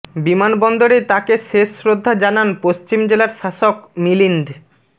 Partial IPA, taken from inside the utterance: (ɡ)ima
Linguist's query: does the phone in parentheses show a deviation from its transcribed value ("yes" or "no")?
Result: yes